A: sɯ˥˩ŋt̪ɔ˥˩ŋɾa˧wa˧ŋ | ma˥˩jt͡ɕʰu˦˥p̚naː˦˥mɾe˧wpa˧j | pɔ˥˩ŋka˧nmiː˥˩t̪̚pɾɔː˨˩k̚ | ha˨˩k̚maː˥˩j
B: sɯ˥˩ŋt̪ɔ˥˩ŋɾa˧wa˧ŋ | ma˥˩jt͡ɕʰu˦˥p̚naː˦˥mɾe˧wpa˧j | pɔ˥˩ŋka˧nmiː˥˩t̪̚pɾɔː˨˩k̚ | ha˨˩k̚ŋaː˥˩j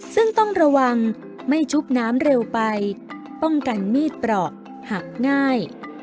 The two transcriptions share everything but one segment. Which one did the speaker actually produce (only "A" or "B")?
B